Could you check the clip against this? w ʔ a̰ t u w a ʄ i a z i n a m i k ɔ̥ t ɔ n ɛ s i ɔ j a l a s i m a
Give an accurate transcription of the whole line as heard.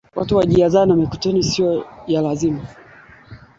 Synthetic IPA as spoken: w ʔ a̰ t u w a ʄ i a z a n a m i k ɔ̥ t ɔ n i s i ɔ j a l a z i m a

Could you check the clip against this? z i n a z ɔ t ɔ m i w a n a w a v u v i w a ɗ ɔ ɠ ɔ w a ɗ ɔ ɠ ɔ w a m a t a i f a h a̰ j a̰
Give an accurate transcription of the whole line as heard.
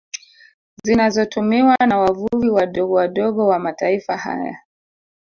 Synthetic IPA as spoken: z i n a z ɔ t u m i w a n a w a v u v i w a ɗ ɔ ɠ ɔ w a ɗ ɔ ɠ ɔ w a m a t a i f a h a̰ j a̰

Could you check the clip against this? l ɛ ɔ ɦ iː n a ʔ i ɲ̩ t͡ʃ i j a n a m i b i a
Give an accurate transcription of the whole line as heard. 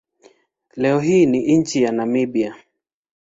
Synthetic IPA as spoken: l ɛ ɔ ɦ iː n i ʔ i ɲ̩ t͡ʃ i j a n a m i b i a

